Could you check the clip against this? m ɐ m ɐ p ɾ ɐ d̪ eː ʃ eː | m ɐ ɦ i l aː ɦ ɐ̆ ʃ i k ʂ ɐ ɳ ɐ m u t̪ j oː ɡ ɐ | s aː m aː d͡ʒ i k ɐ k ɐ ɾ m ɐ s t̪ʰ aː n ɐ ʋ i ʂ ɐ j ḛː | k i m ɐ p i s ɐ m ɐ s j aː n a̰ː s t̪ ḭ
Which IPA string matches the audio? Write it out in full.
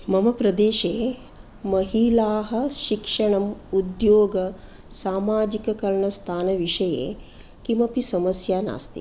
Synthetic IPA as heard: m ɐ m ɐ p ɾ ɐ d̪ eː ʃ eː | m ɐ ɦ i l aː ɦ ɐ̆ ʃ i k ʂ ɐ ɳ ɐ m u d̪ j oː ɡ ɐ | s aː m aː d͡ʒ i k ɐ k ɐ ɾ ɳ ɐ s t̪ʰ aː n ɐ ʋ i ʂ ɐ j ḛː | k i m ɐ p i s ɐ m ɐ s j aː n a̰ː s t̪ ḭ